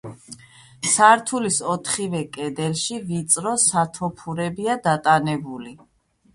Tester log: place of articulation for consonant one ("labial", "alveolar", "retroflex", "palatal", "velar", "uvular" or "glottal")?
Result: alveolar